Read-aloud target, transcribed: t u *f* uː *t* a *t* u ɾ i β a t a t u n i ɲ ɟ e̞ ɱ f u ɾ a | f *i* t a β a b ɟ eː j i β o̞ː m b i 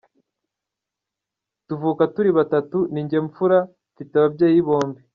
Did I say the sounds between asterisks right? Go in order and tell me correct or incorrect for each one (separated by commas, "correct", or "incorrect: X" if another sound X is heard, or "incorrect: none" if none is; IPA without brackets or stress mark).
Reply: incorrect: v, incorrect: k, correct, correct